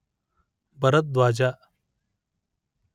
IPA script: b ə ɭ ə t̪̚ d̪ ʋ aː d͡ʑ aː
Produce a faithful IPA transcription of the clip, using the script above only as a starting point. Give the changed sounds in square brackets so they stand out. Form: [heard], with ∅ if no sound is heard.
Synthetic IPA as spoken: b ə [ɾ] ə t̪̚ d̪ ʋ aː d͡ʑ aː